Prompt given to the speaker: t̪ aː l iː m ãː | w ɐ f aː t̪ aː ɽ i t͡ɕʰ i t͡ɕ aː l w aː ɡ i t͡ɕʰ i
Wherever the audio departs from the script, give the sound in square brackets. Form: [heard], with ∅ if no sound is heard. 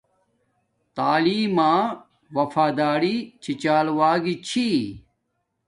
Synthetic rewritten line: t̪ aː l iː m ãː | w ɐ f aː [d̪] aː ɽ i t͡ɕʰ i t͡ɕ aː l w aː ɡ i t͡ɕʰ i